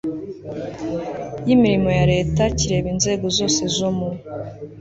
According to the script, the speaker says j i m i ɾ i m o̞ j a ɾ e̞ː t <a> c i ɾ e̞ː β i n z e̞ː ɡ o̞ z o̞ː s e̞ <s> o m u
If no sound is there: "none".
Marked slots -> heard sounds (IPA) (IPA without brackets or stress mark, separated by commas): a, z